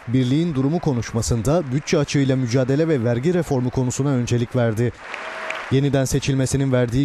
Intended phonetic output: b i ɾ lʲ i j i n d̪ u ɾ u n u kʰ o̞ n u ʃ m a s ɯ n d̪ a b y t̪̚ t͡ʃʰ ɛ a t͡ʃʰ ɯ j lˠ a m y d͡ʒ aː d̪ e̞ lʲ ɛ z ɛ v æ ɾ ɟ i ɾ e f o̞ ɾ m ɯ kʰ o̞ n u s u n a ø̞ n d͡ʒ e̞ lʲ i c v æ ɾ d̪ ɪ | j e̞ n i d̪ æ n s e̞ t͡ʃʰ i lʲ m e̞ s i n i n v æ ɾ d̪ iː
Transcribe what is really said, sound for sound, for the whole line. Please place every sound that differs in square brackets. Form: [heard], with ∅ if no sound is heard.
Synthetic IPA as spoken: b i ɾ lʲ i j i n d̪ u ɾ u [m] u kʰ o̞ n u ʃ m a s ɯ n d̪ a b y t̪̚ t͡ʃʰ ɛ a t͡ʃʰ ɯ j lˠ a m y d͡ʒ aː d̪ e̞ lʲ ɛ [v] ɛ v æ ɾ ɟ i ɾ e f o̞ ɾ m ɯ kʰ o̞ n u s u n a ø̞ n d͡ʒ e̞ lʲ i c v æ ɾ d̪ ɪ | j e̞ n i d̪ æ n s e̞ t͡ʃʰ i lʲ m e̞ s i n i n v æ ɾ d̪ iː